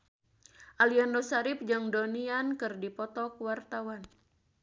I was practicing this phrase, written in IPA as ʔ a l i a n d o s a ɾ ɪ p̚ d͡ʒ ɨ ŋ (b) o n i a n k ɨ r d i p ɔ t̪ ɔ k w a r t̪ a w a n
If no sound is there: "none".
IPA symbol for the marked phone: d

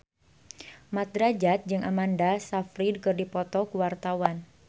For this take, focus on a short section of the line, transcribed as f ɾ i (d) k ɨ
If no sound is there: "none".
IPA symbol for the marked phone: d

